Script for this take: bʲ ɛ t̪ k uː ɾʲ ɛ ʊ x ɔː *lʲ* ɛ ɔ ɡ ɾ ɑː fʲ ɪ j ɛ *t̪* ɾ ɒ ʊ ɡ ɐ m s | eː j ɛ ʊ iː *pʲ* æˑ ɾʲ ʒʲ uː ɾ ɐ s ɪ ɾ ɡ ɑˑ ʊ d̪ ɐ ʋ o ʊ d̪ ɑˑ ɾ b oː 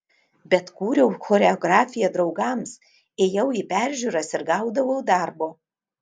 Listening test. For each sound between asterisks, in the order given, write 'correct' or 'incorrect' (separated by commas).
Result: incorrect, incorrect, correct